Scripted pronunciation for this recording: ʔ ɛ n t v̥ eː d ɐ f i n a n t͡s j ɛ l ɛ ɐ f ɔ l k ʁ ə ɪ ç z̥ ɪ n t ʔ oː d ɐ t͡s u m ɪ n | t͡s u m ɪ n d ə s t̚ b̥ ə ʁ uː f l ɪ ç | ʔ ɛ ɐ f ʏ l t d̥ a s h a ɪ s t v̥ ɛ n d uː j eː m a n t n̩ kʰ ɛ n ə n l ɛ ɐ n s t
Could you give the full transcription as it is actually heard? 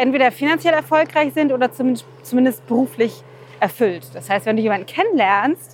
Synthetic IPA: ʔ ɛ n t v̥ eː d ɐ f i n a n t͡s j ɛ l ɛ ɐ f ɔ l k ʁ a ɪ ç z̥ ɪ n t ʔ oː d ɐ t͡s u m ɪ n | t͡s u m ɪ n d ə s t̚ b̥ ə ʁ uː f l ɪ ç | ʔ ɛ ɐ f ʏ l t d̥ a s h a ɪ s t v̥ ɛ n d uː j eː m a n d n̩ kʰ ɛ n ə n l ɛ ɐ n s t